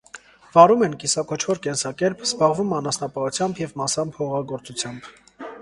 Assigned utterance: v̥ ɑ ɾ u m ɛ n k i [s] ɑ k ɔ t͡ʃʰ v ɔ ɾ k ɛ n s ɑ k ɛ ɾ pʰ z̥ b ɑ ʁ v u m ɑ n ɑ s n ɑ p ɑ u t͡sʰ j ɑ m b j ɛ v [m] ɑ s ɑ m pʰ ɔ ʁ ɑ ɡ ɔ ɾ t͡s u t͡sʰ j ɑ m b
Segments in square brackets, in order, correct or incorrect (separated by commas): correct, correct